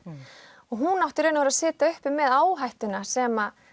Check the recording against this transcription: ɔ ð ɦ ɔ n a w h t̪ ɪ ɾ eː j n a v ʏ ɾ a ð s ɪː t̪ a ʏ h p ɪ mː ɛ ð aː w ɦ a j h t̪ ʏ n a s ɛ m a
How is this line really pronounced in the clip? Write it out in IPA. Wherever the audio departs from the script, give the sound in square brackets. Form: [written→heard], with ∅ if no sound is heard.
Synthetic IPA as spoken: ɔ [ð→ɣ] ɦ [ɔ→u] n a w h t̪ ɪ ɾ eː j n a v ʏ ɾ a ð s ɪː t̪ a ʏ h p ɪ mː ɛ ð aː w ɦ a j h t̪ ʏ n a s ɛ m a